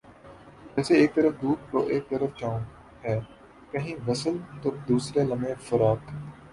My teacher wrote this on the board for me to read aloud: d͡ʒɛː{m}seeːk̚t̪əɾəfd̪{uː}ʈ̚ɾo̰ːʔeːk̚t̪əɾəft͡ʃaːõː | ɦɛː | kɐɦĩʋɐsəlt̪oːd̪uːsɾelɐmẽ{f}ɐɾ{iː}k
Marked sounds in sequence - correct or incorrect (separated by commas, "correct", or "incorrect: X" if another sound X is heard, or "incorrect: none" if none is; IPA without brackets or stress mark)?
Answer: incorrect: none, correct, correct, incorrect: aː